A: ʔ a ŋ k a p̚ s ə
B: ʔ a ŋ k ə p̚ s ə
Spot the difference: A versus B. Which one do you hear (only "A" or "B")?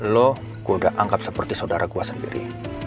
A